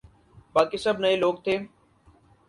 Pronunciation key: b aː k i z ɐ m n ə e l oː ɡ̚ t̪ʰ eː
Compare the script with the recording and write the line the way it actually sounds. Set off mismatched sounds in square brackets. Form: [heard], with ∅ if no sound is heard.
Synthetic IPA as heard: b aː k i [s] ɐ [b] n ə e l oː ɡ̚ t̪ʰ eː